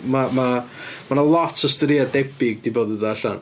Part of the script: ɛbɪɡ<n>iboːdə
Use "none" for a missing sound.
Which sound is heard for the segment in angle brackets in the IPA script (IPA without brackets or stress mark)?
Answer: d